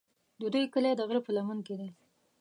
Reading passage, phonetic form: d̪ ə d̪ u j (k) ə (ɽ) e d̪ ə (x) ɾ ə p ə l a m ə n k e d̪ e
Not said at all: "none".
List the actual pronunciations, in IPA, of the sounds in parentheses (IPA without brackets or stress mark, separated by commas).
k, l, ɣ